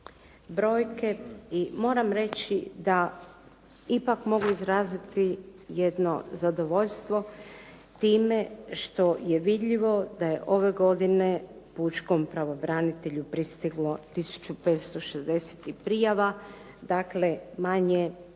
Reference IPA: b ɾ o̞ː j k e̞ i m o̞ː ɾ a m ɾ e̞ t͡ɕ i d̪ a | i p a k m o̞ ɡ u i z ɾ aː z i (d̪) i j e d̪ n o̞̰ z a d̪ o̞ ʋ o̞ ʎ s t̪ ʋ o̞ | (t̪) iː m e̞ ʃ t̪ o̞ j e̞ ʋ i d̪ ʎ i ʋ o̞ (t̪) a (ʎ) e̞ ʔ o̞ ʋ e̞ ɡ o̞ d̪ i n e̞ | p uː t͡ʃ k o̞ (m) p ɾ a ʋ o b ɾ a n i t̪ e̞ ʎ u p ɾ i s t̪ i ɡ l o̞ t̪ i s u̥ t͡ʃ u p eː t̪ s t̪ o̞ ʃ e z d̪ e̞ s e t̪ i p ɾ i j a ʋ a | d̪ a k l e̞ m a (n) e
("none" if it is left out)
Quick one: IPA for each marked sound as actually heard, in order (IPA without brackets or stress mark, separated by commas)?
t̪, t̪, d̪, j, m, ɲ